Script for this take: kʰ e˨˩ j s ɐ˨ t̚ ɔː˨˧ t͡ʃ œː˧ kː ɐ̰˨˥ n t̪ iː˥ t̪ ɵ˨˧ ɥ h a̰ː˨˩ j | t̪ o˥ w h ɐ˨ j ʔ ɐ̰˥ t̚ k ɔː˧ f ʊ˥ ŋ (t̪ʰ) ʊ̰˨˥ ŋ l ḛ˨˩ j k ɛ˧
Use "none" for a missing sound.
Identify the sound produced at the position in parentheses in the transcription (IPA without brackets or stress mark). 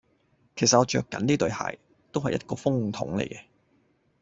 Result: t̪ʰ